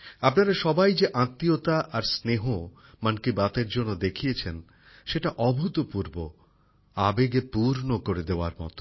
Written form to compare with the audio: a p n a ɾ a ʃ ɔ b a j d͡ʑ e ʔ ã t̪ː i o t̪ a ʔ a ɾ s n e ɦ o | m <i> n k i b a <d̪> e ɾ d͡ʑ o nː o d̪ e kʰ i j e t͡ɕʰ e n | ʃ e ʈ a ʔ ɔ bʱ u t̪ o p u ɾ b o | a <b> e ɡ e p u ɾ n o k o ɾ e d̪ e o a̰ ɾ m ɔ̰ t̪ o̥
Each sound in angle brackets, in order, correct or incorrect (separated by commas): incorrect, incorrect, correct